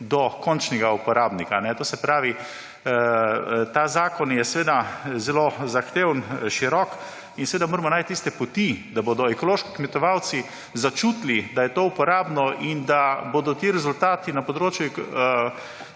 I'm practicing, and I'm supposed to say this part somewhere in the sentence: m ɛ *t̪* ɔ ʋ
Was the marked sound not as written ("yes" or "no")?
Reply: no